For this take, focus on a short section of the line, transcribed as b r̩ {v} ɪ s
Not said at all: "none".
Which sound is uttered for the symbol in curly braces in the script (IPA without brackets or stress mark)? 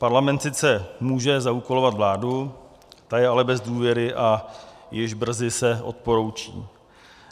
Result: z